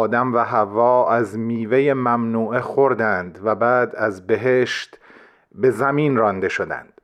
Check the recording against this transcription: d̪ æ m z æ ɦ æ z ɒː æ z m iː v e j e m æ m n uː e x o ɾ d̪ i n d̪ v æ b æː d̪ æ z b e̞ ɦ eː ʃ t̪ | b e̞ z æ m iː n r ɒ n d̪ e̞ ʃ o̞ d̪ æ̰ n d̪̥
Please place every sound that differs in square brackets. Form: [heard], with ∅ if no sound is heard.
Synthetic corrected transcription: d̪ æ m [v] æ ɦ æ [v] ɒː æ z m iː v e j e m æ m n uː e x o ɾ d̪ [æ] n d̪ v æ b æː d̪ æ z b e̞ ɦ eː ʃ t̪ | b e̞ z æ m iː n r ɒ n d̪ e̞ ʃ o̞ d̪ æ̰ n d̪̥